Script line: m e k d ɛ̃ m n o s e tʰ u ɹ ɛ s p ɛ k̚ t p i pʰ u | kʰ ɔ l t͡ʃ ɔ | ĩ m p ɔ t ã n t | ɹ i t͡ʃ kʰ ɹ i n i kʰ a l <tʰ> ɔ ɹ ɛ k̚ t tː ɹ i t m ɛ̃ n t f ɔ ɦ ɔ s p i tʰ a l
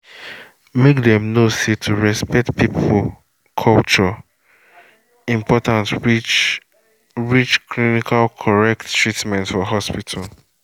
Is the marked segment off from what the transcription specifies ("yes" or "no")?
yes